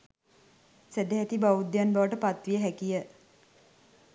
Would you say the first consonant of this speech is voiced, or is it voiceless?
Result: voiceless